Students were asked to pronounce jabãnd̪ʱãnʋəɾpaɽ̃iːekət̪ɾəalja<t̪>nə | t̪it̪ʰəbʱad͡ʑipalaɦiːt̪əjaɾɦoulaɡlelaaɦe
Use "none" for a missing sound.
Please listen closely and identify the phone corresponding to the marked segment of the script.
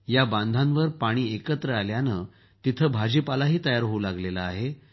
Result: none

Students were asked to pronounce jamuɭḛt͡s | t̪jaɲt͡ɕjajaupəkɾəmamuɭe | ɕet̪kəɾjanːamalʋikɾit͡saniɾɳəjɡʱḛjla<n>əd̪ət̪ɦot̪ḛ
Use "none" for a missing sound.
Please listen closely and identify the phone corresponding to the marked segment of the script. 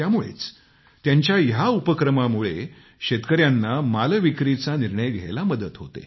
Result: m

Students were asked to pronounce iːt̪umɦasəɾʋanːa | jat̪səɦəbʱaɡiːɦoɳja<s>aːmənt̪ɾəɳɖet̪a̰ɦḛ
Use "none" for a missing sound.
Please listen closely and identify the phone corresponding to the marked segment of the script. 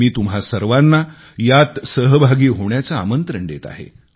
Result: t͡s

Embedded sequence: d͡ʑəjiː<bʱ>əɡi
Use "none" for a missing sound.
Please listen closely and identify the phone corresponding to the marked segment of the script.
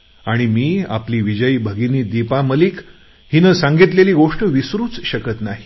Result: bʱ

